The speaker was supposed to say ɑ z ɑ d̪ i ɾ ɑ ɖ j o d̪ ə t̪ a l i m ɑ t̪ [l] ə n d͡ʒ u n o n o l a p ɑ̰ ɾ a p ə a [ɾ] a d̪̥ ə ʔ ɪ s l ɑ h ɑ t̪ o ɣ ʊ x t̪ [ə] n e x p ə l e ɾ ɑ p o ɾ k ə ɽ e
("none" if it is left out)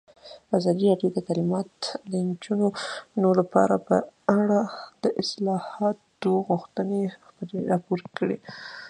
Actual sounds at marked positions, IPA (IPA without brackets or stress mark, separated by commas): l, ɽ, ə